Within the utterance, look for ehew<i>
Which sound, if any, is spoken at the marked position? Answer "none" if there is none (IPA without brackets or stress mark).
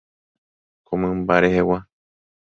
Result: a